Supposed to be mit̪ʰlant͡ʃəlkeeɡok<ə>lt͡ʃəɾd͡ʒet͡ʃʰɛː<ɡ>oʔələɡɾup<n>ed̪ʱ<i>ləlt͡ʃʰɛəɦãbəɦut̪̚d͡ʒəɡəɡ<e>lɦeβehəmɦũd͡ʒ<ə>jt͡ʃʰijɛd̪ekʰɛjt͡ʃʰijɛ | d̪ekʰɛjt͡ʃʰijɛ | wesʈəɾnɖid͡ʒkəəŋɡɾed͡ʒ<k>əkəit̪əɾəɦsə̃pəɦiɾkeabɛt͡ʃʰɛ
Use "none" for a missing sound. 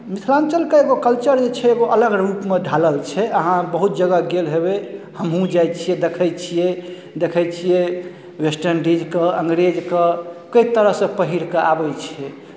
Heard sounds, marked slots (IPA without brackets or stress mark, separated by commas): ə, ɡ, m, a, e, a, k